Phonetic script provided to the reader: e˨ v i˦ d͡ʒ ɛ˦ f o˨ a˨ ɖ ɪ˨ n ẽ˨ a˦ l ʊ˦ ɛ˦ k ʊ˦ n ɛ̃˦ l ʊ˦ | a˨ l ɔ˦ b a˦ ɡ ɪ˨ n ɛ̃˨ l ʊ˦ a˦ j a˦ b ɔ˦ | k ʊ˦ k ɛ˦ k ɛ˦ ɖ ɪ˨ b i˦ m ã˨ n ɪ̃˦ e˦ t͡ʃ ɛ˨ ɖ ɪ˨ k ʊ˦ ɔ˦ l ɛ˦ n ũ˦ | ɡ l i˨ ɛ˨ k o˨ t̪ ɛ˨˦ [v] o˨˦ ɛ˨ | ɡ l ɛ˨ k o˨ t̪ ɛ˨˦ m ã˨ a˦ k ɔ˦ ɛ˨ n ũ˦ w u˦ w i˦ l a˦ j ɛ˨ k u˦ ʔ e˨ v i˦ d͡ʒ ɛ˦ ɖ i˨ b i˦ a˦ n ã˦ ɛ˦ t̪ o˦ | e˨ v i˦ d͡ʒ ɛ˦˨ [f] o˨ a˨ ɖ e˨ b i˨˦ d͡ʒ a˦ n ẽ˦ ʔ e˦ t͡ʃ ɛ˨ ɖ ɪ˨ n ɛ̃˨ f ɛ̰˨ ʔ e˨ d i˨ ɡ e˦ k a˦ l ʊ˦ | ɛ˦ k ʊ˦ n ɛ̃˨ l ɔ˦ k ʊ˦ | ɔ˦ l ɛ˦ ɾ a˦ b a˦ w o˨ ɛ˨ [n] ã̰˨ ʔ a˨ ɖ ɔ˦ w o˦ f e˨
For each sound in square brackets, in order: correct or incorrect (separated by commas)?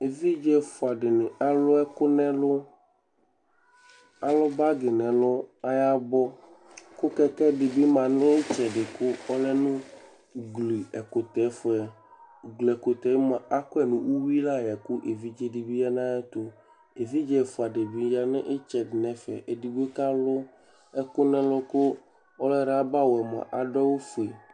incorrect, correct, incorrect